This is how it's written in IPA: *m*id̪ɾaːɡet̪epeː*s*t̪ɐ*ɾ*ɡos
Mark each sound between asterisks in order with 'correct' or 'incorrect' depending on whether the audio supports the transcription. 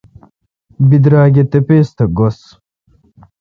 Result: incorrect: b, correct, incorrect: none

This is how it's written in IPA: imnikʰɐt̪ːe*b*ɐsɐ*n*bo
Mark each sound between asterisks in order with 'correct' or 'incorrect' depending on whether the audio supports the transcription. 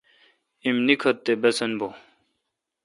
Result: correct, correct

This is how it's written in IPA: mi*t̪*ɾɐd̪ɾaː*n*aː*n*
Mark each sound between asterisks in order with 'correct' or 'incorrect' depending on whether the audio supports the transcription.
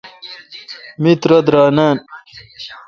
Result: correct, correct, correct

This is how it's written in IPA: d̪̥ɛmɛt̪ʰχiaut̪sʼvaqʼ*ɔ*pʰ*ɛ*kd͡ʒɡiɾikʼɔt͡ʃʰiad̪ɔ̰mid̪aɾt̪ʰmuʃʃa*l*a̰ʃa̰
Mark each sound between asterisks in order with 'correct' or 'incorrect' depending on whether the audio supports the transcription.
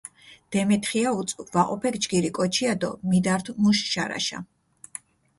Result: correct, correct, incorrect: ɾ

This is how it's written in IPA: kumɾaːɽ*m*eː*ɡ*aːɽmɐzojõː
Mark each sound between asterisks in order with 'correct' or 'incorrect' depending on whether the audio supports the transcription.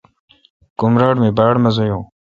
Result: correct, incorrect: b

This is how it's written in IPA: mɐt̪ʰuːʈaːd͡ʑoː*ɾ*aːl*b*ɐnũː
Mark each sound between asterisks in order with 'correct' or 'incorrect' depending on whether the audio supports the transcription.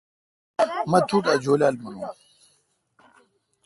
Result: incorrect: l, incorrect: m

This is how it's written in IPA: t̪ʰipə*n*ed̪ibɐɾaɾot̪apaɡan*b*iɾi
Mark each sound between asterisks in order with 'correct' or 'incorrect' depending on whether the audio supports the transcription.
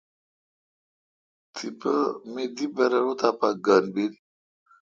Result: incorrect: m, correct

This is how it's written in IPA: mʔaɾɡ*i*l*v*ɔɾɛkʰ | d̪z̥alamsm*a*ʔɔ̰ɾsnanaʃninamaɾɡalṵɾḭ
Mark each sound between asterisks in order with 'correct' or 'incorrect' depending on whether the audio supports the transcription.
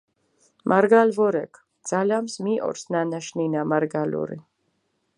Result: incorrect: a, correct, incorrect: i

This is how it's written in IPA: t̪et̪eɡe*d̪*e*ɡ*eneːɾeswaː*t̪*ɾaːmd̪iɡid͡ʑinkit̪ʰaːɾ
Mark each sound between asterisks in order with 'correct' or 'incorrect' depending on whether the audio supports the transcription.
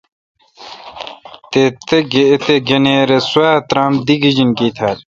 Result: incorrect: t̪, correct, correct

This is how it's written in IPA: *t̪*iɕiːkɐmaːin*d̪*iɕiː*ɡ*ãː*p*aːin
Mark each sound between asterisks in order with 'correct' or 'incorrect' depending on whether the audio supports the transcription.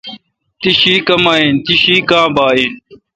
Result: correct, incorrect: t̪, incorrect: k, incorrect: b

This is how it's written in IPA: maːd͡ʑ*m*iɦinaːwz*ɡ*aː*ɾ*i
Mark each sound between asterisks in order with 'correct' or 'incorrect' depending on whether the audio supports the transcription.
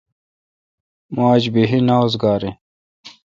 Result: incorrect: b, correct, correct

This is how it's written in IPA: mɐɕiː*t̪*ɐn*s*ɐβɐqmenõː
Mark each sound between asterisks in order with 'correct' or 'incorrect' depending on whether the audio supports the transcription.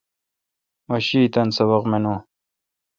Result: correct, correct

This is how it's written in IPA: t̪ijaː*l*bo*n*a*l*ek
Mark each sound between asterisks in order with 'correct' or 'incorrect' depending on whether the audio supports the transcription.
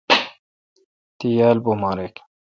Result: correct, incorrect: m, incorrect: ɾ

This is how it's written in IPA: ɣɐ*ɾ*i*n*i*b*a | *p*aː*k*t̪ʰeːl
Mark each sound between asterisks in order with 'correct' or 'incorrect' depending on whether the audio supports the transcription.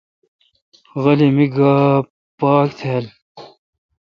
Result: incorrect: l, incorrect: m, incorrect: ɡ, correct, correct

